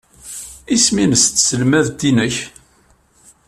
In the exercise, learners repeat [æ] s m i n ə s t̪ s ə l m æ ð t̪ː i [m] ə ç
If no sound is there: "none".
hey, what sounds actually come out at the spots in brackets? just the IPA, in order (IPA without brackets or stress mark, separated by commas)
i, n